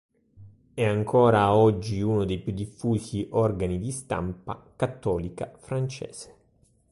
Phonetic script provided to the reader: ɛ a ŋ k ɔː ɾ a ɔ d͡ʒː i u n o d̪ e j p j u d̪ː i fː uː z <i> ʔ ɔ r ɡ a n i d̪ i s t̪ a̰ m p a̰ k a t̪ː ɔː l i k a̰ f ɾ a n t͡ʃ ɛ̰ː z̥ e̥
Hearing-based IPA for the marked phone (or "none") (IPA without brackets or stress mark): i